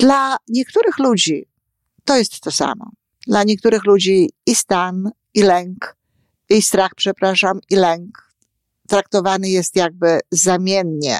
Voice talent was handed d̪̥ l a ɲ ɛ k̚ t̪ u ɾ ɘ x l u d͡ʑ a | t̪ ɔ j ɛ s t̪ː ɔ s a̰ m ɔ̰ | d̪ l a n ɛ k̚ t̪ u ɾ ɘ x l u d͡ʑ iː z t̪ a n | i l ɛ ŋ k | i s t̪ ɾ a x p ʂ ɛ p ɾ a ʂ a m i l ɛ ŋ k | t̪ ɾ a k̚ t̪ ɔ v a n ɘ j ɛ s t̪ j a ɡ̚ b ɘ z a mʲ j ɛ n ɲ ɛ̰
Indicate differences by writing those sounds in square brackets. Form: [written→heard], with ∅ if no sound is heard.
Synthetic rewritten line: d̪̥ l a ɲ ɛ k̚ t̪ u ɾ ɘ x l u d͡ʑ [a→i] | t̪ ɔ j ɛ s t̪ː ɔ s a̰ m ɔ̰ | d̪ l a [n→ɲ] ɛ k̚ t̪ u ɾ ɘ x l u d͡ʑ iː [z→s] t̪ a n | i l ɛ ŋ k | i s t̪ ɾ a x p ʂ ɛ p ɾ a ʂ a m i l ɛ ŋ k | t̪ ɾ a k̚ t̪ ɔ v a n ɘ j ɛ s t̪ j a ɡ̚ b ɘ z a mʲ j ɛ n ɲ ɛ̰